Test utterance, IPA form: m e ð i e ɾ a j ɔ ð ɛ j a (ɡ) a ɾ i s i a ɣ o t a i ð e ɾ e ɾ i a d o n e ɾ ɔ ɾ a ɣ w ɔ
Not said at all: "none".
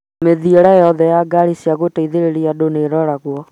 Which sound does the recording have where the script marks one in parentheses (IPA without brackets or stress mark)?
ɡ